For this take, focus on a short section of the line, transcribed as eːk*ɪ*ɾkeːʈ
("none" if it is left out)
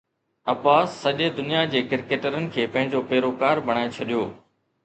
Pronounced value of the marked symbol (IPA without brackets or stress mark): ɪ